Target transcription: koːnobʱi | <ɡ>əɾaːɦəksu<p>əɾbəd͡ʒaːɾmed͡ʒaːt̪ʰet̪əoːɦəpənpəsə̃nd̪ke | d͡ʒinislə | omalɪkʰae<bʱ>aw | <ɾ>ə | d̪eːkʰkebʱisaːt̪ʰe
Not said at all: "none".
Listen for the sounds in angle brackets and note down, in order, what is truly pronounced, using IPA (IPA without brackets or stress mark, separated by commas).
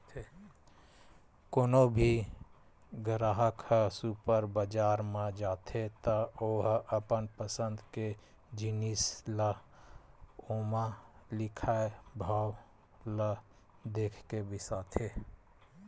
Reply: ɡ, p, bʱ, l